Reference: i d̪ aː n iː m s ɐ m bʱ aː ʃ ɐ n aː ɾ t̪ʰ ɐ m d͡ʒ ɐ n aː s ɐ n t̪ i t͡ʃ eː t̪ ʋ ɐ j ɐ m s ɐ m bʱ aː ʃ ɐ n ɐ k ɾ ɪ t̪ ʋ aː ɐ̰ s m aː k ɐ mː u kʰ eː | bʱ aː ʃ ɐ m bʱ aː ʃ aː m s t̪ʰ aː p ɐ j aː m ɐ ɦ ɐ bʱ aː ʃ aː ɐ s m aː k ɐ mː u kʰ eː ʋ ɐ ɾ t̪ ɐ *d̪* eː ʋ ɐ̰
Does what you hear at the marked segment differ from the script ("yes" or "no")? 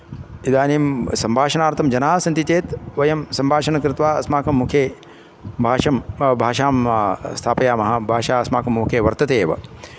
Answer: yes